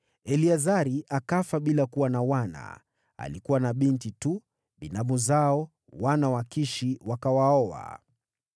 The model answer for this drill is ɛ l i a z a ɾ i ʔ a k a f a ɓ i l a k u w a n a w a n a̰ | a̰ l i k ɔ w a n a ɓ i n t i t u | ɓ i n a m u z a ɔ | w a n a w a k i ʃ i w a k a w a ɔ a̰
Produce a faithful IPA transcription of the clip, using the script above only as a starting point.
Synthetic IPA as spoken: ɛ l i a z a ɾ i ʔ a k a f a ɓ i l a k u w a n a w a n a̰ | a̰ l i k u w a n a ɓ i n t i t u | ɓ i n a m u z a ɔ | w a n a w a k i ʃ i w a k a w a ɔ a̰